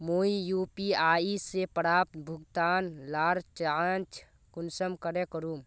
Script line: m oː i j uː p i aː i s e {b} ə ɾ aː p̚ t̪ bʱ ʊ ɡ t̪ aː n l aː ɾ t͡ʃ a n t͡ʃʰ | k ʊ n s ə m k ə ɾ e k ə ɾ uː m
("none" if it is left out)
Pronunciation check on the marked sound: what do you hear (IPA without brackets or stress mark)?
p